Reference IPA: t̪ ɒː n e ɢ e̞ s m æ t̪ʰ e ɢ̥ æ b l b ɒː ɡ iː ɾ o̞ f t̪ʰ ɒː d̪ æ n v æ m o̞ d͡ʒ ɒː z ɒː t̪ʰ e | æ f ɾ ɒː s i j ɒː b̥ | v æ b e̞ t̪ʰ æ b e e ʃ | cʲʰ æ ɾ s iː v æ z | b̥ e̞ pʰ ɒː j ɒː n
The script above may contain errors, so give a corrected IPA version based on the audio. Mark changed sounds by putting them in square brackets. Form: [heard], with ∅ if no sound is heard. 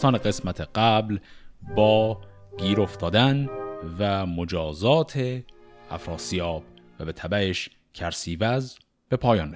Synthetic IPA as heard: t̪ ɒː n e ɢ e̞ s m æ t̪ʰ e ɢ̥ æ b l b ɒː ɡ iː ɾ o̞ f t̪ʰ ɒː d̪ æ n v æ m o̞ d͡ʒ ɒː z ɒː t̪ʰ e | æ f ɾ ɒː s i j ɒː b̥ | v æ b e̞ t̪ʰ æ b [æ] e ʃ | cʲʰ æ ɾ s iː v æ z | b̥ e̞ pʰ ɒː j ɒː n